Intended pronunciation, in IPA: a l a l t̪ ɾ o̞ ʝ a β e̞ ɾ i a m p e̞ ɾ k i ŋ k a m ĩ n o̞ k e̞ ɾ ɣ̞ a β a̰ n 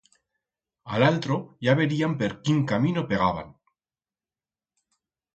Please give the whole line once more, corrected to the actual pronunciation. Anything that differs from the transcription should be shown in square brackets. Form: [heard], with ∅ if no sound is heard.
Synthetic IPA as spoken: a l a l t̪ ɾ o̞ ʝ a β e̞ ɾ i a m p e̞ ɾ k i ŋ k a m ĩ n o̞ [p] e̞ [∅] ɣ̞ a β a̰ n